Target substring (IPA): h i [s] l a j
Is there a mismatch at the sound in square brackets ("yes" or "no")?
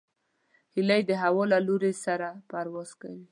yes